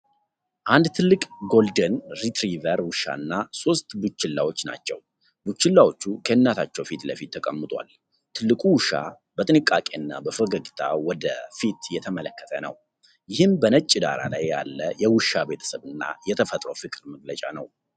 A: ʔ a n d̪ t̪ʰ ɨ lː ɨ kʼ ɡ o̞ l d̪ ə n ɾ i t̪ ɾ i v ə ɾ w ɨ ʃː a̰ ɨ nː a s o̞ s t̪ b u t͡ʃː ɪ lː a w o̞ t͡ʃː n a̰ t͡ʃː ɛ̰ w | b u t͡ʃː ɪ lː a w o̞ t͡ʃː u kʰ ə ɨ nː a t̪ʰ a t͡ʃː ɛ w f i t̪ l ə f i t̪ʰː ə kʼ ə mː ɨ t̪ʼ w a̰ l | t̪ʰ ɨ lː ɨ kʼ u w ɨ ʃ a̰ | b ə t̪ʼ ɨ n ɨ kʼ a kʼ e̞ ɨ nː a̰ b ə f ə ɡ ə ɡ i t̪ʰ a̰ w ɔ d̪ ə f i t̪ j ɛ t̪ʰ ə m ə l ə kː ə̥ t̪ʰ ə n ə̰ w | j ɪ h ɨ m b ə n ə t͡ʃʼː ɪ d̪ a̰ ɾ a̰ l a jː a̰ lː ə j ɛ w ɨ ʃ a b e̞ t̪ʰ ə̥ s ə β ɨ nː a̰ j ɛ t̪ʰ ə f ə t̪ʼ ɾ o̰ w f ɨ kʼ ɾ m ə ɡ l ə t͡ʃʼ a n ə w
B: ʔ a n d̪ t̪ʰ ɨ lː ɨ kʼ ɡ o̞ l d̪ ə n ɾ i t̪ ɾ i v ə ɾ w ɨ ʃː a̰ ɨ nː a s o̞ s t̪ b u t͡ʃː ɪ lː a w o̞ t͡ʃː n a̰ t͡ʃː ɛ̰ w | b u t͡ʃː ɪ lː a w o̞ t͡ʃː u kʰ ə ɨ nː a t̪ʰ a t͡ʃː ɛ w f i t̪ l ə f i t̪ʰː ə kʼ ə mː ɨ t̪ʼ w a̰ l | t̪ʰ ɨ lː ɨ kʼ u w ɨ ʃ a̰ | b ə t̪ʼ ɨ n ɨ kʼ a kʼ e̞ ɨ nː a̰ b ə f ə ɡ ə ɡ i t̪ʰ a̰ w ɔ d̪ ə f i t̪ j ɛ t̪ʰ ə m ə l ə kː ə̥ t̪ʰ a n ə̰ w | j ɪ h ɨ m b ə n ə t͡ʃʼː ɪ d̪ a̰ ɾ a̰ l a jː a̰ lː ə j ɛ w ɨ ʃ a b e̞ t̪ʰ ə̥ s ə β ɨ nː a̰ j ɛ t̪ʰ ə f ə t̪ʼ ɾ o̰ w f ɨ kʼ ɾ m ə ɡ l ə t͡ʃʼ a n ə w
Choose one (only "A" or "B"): A